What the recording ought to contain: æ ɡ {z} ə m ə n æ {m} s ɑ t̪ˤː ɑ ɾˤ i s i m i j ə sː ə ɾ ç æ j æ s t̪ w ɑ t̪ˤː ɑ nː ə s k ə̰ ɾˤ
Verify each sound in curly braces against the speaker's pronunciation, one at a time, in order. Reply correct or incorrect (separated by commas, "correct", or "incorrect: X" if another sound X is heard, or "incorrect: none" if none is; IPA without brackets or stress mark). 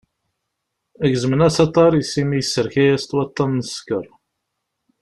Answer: correct, incorrect: none